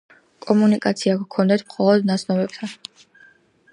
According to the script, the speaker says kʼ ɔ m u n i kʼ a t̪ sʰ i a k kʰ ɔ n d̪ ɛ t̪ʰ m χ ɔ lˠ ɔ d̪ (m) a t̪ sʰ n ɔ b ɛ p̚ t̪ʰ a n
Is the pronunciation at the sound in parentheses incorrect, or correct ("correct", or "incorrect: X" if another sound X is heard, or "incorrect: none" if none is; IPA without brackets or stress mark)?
incorrect: n